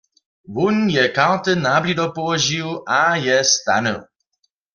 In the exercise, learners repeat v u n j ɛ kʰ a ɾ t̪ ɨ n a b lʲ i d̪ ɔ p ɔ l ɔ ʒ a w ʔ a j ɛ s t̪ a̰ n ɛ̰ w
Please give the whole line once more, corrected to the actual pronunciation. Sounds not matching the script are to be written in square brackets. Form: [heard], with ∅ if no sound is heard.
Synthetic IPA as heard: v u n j ɛ [k] a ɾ t̪ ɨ n a b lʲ i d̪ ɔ p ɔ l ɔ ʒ [i] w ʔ a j ɛ s t̪ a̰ n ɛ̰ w